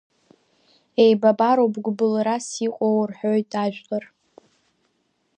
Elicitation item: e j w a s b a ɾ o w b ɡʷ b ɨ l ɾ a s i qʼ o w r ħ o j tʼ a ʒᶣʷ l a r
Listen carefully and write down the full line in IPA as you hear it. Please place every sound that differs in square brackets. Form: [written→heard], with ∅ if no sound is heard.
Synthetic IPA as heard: e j [w→b] a [s→∅] b a ɾ o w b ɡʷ b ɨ l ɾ a s i qʼ o w r ħ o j tʼ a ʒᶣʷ l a r